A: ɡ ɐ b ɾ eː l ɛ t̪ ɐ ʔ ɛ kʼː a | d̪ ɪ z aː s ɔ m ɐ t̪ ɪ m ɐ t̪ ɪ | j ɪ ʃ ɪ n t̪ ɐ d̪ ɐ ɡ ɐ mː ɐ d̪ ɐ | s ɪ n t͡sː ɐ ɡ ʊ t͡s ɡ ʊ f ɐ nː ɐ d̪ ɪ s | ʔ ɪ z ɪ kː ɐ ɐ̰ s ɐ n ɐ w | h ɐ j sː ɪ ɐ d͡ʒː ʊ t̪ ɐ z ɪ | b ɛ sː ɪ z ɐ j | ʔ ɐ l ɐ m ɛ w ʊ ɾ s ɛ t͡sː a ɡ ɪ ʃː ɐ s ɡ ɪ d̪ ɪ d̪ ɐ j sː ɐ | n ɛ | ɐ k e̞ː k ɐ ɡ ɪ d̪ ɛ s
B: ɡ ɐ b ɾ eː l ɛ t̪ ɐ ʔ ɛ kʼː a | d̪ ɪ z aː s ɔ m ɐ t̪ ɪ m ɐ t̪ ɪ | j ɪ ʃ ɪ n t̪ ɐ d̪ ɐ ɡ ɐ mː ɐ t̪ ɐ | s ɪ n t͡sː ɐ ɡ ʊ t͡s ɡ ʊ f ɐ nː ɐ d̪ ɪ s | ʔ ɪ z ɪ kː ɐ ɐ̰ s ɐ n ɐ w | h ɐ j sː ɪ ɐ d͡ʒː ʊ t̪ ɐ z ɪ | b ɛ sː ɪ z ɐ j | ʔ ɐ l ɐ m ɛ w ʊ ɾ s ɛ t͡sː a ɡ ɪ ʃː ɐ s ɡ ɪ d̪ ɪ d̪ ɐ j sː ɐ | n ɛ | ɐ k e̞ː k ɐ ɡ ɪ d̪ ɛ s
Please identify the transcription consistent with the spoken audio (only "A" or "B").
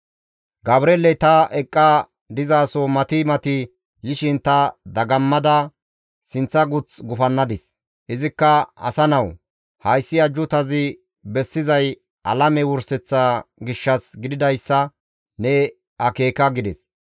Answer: A